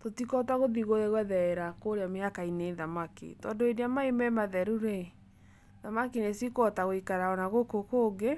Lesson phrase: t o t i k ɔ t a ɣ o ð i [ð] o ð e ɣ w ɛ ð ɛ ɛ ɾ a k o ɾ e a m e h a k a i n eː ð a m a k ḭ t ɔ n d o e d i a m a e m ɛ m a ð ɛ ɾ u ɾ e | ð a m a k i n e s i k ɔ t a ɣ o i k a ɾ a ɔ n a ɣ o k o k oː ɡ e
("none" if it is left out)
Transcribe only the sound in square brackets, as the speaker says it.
ɣ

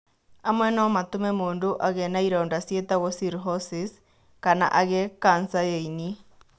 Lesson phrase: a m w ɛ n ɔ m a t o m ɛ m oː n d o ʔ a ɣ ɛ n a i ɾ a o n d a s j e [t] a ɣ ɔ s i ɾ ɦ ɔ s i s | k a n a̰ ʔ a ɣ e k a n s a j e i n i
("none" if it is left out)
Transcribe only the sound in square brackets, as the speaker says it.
t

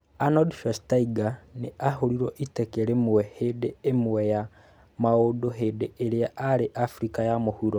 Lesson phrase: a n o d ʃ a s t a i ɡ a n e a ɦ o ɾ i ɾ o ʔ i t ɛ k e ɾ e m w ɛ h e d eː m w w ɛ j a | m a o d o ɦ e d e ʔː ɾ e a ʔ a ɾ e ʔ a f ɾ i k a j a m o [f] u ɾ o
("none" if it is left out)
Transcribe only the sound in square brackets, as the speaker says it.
h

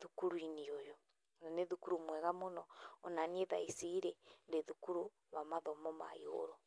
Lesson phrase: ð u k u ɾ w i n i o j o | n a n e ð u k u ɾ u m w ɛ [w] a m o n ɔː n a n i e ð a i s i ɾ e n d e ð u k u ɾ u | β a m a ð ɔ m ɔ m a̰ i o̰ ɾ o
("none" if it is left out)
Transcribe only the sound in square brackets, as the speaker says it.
ɣ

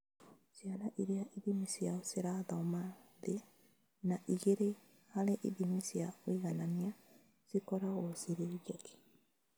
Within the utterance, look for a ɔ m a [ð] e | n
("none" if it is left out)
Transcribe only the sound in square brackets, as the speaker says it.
ð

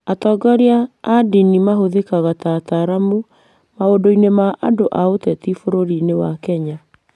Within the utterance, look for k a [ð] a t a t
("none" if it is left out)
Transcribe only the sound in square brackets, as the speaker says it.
ɣ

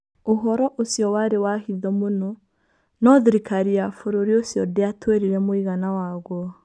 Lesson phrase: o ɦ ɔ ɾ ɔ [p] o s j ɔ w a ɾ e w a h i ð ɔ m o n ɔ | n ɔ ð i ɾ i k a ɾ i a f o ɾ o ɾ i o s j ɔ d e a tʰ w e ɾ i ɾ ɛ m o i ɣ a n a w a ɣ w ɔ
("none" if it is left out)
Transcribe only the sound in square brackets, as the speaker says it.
ʔ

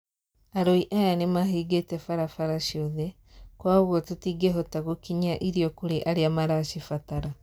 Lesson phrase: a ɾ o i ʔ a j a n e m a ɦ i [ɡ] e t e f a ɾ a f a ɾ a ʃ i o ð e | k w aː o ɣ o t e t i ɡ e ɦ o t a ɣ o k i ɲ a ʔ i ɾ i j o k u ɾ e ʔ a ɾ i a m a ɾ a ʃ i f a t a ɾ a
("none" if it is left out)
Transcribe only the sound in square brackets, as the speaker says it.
ɡ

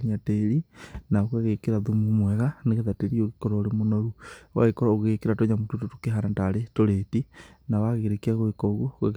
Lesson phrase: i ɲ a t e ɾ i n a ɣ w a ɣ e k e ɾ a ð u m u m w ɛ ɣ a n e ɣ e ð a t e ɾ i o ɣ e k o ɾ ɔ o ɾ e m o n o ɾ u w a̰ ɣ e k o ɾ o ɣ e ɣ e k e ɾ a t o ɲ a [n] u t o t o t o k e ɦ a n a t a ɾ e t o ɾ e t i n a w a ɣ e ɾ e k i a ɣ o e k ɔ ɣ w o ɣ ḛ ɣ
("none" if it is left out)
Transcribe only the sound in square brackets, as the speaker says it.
m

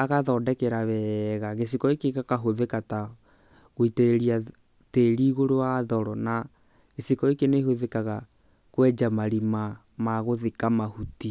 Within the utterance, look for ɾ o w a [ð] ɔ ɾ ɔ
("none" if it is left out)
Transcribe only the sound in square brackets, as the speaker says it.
ð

